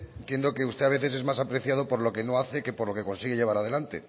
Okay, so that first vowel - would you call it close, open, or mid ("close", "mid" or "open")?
mid